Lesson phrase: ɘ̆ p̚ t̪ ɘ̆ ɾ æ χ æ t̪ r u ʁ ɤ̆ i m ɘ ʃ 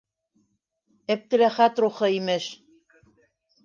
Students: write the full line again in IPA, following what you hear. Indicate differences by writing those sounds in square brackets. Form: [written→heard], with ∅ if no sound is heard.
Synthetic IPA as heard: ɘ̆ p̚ t̪ ɘ̆ [ɾ→l] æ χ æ t̪ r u [ʁ→χ] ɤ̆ i m ɘ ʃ

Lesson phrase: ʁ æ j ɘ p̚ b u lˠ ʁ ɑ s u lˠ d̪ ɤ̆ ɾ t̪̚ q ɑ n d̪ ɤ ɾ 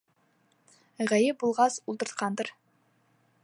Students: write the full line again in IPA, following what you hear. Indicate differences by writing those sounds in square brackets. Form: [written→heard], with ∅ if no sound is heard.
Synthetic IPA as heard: ʁ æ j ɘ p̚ b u lˠ ʁ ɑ s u lˠ [d̪→t̪] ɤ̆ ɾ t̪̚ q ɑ n d̪ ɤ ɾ

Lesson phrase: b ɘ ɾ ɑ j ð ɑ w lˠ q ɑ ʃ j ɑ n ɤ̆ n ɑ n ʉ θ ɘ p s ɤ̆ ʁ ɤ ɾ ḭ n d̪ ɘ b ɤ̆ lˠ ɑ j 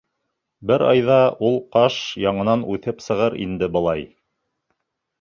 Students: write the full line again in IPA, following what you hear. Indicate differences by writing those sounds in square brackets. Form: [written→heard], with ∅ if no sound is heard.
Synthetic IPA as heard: b ɘ ɾ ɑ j ð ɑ [w→u] lˠ q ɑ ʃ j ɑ [n→ɴ] ɤ̆ n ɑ n ʉ θ ɘ p s ɤ̆ ʁ ɤ ɾ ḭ n d̪ ɘ b ɤ̆ lˠ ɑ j

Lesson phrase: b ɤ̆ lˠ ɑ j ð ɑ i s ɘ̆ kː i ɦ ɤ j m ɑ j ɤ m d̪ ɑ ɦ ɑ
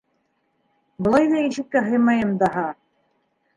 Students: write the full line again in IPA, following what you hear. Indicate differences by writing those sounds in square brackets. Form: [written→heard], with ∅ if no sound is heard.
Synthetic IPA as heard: b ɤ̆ lˠ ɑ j ð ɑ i [s→ʃ] ɘ̆ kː [i→æ] ɦ ɤ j m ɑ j ɤ m d̪ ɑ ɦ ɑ

